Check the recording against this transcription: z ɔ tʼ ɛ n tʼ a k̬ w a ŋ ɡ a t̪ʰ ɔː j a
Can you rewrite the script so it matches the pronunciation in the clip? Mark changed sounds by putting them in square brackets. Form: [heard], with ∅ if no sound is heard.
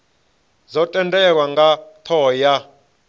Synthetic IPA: z ɔ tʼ ɛ n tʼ [ɛ] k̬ w a ŋ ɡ a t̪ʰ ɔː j a

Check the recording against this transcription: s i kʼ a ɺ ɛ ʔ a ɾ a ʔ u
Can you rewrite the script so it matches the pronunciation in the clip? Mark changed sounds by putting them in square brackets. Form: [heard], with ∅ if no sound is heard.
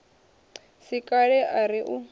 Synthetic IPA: s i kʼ a ɺ ɛ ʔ a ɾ [i] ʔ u

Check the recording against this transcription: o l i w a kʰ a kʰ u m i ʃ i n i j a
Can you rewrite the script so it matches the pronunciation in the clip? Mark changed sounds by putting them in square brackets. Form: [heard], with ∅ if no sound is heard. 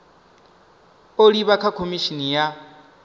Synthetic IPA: o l i [β] a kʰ a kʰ [o] m i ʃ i n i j a

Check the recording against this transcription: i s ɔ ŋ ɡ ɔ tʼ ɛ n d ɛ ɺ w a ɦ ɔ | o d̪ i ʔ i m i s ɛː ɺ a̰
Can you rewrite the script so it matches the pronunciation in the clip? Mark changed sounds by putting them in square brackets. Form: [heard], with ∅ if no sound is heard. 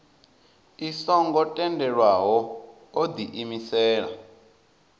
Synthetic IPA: i s ɔ ŋ ɡ ɔ tʼ ɛ n d ɛ ɺ w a ɦ ɔ | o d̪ i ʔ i m i s ɛː ɺ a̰

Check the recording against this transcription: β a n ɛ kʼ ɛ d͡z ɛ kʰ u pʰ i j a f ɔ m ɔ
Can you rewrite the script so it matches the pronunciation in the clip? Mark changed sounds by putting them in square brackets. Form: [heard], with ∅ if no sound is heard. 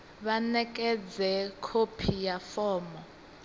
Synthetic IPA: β a n ɛ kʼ ɛ d͡z ɛ kʰ [o] pʰ i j a f [ɔː] m ɔ

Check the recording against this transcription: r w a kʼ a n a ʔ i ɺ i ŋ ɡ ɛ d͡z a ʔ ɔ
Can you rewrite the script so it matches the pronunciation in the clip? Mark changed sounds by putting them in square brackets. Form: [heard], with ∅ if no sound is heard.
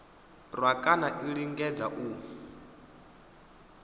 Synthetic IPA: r w a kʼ a n a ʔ i ɺ i ŋ ɡ ɛ d͡z a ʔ [u]

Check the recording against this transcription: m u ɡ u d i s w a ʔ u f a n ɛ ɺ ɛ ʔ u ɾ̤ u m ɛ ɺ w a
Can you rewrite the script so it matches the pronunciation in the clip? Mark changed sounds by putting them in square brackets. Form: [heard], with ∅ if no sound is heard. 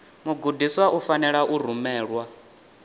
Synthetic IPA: m u ɡ u d i s w a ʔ u f a n ɛ ɺ [a] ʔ u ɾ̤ u m [ɛː] ɺ w a

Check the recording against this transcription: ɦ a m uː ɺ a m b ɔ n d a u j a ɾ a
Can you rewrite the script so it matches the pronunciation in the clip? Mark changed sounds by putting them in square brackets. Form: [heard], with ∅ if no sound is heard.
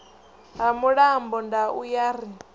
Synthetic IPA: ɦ a m [u] ɺ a m b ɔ n d a u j a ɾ [i]

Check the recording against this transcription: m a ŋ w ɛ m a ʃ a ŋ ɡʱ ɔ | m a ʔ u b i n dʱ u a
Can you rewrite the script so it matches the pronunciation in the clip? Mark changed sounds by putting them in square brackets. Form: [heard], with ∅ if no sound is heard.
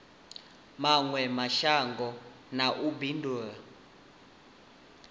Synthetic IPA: m a ŋ w ɛ m a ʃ a ŋ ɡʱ ɔ | [n] a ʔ u b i n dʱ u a

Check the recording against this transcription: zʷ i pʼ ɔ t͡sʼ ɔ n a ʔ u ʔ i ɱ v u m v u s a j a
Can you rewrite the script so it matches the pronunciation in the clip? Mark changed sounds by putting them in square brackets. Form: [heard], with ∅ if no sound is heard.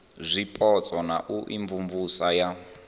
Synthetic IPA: zʷ i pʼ ɔ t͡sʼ ɔ n a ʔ u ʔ i ɱ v u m v u s a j a

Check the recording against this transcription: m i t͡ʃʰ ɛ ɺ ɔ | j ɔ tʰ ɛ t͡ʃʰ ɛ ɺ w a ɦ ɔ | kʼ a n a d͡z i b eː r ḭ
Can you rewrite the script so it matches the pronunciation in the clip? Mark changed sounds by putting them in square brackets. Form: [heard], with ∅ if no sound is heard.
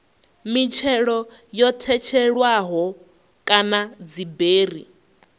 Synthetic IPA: m i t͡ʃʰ ɛ ɺ ɔ | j ɔ tʰ ɛ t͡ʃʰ ɛ ɺ w a ɦ ɔ | kʼ a n a d͡z i b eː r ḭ

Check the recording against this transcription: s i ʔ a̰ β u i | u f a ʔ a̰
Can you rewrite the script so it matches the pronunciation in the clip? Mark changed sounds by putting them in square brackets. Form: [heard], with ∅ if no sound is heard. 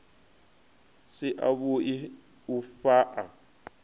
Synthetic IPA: s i ʔ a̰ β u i | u f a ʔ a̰

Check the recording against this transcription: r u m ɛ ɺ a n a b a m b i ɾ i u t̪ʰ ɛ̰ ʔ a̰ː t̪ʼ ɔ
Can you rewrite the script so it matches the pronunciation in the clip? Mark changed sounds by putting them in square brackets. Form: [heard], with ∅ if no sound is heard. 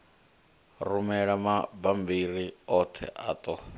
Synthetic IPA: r u m ɛ ɺ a [m] a b a m b i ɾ i [ɔ] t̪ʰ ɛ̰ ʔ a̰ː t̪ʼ ɔ

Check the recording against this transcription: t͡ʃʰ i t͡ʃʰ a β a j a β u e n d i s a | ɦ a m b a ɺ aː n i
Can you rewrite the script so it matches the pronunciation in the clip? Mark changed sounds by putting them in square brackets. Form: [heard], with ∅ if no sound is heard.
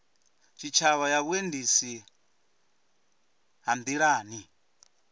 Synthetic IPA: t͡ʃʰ i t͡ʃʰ a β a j a β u e n d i s [i] | ɦ a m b [i] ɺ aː n i

